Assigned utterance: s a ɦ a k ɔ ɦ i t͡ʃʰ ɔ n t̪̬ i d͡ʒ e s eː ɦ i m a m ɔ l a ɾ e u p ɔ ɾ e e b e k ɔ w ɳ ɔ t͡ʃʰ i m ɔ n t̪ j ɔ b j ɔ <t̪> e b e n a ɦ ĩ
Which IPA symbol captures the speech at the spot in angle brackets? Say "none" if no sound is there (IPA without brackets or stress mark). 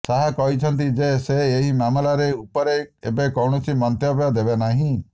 d̪